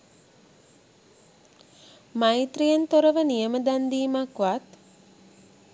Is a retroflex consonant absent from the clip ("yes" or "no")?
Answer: yes